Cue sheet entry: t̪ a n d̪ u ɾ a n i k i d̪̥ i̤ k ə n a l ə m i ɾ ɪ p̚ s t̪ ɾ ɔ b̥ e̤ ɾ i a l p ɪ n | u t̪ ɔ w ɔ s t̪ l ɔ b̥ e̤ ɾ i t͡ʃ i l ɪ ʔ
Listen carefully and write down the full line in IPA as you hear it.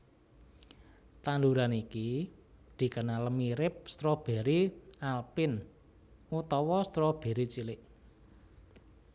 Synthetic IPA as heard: t̪ a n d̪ u ɾ a n i k i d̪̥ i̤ k ə n a l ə m i ɾ ɪ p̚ s t̪ ɾ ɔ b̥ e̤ ɾ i a l p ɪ n | u t̪ ɔ w ɔ s t̪ ɾ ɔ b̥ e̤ ɾ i t͡ʃ i l ɪ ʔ